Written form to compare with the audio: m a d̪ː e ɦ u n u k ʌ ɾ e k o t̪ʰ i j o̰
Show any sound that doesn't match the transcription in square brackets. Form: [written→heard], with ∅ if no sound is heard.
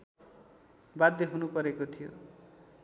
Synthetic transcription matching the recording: [m→b] a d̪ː e ɦ u n u [k→p] ʌ ɾ e k o t̪ʰ i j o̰